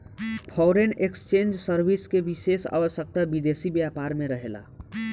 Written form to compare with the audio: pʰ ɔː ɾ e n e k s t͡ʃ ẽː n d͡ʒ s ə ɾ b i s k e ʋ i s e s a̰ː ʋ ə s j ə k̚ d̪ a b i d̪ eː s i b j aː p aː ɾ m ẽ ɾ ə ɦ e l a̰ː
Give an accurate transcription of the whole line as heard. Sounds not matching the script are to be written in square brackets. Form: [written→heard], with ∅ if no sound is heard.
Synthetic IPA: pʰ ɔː ɾ e n e k s t͡ʃ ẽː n d͡ʒ s ə ɾ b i s k e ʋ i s e s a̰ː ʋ ə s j ə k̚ [d̪→t̪] a b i d̪ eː s i b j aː p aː ɾ m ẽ ɾ ə ɦ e l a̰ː